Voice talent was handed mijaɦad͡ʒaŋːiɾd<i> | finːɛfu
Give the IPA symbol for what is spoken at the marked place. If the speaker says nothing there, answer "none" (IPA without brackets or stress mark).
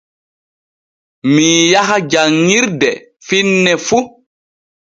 ɛ